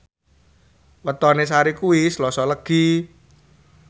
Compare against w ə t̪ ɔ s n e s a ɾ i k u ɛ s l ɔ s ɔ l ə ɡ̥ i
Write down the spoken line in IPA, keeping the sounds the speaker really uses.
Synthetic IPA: w ə t̪ ɔ n e s a ɾ i k u i s l ɔ s ɔ l ə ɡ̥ i